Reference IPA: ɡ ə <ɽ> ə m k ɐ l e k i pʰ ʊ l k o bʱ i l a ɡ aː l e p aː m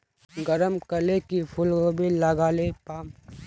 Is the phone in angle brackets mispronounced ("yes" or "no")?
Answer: yes